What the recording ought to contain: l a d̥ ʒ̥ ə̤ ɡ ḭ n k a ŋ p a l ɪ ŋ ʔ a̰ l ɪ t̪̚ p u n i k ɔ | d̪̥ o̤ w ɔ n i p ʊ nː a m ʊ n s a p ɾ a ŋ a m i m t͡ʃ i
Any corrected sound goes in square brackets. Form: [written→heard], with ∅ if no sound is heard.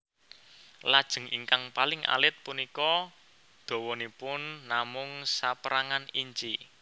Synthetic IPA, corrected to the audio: l a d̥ ʒ̥ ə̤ [ɡ→ŋ] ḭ [n→ŋ] k a ŋ p a l ɪ ŋ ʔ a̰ l ɪ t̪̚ p u n i k ɔ | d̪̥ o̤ w ɔ n i p ʊ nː a m ʊ [n→ŋ] s a p ɾ a ŋ a [m→n] i [m→ɲ] t͡ʃ i

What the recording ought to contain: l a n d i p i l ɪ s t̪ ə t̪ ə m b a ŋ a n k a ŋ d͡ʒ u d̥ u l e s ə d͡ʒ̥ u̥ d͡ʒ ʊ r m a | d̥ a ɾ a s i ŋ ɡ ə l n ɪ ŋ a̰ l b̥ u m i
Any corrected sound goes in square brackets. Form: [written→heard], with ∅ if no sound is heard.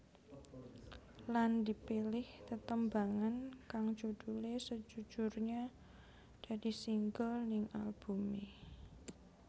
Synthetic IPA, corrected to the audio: l a n d i p i l ɪ [s→h] t̪ ə t̪ ə m b a ŋ a n k a ŋ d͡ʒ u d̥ u l e s ə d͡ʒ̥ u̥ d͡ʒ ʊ r [m→ɲ] a | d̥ a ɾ [a→i] s i ŋ ɡ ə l n ɪ ŋ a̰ l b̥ u m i

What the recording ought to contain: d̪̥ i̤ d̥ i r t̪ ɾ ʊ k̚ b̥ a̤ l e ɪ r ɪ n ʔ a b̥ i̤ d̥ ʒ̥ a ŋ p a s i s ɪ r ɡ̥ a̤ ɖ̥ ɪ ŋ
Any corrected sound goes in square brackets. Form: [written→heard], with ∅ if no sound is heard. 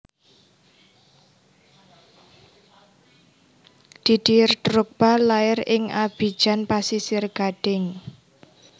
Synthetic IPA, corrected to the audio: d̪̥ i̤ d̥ i r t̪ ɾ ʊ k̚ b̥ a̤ l [e→a] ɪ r ɪ [n→ŋ] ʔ a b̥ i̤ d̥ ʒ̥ a [ŋ→n] p a s i s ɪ r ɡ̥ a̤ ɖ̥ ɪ ŋ

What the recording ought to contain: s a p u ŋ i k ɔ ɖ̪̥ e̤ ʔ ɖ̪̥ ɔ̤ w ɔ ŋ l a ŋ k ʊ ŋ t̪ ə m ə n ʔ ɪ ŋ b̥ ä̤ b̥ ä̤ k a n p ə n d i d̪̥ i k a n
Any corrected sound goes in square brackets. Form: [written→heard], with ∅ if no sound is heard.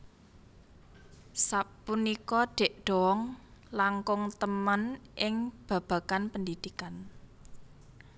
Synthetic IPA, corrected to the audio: s a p u [ŋ→n] i k ɔ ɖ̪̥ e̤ ʔ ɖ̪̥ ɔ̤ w ɔ ŋ l a ŋ k ʊ ŋ t̪ ə m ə n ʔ ɪ ŋ b̥ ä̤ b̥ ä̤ k a n p ə n d i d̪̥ i k a n

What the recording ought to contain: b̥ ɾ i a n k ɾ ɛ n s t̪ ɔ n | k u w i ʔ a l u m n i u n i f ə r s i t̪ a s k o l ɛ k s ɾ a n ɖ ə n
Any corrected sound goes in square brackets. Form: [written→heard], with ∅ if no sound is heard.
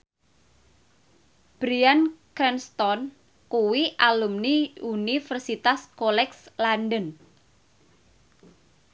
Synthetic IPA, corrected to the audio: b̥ ɾ i a n k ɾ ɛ n s t̪ ɔ n | k u w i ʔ a l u m n i u n i f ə r s i t̪ a s k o l ɛ k s [ɾ→l] a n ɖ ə n

